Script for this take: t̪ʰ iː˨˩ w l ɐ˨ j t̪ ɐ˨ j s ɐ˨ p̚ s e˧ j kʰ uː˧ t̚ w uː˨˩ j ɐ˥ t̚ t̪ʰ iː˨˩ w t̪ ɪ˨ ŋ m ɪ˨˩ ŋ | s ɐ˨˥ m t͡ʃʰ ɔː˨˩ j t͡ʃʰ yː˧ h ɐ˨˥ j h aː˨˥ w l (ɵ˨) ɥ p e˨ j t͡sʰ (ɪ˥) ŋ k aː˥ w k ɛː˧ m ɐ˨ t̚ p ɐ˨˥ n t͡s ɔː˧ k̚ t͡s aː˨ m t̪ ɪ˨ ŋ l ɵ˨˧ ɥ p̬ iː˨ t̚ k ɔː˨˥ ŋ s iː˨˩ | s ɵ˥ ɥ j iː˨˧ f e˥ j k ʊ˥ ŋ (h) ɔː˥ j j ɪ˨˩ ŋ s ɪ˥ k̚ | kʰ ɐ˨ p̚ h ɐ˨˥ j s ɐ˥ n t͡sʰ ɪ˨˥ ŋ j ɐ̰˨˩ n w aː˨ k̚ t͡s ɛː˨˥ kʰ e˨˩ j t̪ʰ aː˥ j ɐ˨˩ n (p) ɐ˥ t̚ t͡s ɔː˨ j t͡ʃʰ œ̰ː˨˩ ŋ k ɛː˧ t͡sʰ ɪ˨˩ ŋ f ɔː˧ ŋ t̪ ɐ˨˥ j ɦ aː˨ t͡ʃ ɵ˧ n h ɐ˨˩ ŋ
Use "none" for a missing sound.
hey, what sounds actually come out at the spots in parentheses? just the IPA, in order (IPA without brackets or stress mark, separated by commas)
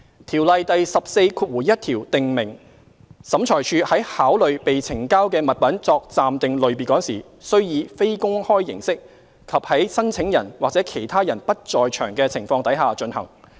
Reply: ɵ˨, ɪ˨˩, h, p